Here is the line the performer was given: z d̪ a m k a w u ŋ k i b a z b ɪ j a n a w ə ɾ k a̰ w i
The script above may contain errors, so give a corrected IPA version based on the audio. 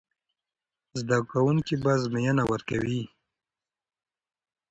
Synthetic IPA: z d̪ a k a w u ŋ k i b a z m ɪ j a n a w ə ɾ k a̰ w i